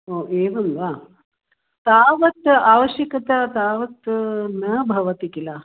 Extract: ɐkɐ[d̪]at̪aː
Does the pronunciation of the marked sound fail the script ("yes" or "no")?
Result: yes